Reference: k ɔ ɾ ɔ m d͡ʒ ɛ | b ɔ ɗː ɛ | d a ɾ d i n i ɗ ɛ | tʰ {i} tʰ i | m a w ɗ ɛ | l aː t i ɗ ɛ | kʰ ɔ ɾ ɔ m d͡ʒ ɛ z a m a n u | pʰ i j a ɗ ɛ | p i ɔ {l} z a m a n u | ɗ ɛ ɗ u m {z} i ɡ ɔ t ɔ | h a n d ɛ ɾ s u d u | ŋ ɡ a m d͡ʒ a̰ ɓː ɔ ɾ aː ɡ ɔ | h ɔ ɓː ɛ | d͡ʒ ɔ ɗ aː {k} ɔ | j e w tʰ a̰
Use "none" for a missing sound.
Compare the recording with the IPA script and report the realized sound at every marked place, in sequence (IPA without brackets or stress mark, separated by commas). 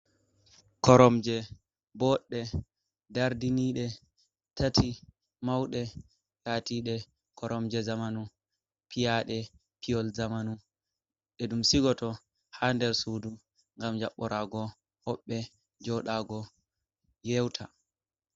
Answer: a, l, s, ɡ